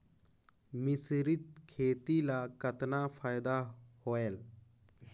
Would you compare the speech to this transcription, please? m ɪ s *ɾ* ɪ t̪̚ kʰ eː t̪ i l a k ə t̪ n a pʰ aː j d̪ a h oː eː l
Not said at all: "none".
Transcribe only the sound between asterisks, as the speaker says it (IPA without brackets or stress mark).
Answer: ɾ